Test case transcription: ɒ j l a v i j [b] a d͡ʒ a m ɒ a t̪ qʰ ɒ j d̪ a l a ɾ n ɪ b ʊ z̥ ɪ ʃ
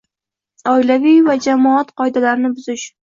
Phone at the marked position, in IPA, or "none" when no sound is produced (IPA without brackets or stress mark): v